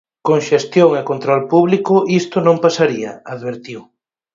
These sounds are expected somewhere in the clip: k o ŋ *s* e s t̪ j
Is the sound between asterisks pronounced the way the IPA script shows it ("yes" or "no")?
no